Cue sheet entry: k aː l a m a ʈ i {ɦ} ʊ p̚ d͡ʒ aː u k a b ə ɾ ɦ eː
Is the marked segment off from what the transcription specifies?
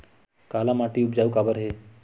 yes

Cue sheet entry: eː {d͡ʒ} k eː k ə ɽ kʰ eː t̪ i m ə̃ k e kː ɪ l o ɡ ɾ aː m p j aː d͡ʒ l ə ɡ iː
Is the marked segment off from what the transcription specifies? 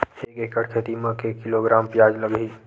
yes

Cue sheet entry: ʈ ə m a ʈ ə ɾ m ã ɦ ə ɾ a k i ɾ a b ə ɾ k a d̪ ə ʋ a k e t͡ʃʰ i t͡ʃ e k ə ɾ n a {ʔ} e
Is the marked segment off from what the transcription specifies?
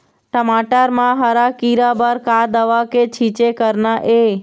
no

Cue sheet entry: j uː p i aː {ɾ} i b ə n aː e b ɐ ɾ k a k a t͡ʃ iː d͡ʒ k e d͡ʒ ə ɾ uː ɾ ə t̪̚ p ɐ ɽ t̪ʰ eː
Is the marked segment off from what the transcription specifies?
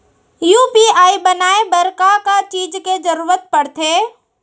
yes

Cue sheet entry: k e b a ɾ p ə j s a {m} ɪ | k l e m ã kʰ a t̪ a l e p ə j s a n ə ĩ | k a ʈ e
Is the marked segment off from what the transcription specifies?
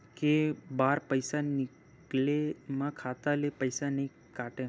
yes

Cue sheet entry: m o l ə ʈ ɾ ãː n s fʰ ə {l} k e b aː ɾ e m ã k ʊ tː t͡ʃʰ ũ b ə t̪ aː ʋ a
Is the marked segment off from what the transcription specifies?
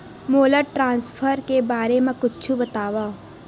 yes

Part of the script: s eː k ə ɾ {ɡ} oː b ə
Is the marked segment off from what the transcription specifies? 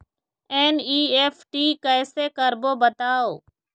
yes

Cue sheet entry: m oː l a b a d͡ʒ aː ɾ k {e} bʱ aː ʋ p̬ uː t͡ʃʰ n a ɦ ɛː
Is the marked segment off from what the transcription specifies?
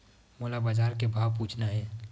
no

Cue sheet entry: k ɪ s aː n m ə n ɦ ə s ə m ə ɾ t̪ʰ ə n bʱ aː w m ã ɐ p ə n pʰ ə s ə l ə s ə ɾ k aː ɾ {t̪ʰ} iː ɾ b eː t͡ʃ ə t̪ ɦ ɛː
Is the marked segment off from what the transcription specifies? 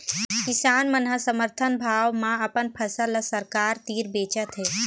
yes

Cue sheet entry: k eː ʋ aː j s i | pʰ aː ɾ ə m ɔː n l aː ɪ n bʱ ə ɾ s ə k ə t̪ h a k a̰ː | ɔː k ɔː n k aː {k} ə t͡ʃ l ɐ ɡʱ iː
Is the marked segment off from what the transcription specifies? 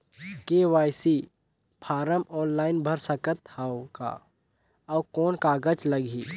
yes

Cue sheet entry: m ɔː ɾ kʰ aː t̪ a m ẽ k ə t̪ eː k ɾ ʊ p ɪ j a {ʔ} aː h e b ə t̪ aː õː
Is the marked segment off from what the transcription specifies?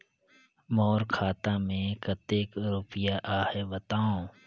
no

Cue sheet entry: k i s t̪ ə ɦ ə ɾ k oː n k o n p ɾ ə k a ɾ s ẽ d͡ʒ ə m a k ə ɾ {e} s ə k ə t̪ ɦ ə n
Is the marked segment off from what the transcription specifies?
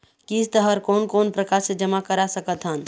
yes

